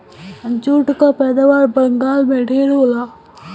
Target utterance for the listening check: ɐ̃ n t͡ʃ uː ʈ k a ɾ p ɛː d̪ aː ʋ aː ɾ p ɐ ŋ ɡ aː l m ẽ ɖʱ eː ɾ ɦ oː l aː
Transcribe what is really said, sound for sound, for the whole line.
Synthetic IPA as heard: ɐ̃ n t͡ʃ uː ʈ k a p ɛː d̪ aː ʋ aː ɾ b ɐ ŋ ɡ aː l m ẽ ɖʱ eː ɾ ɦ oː l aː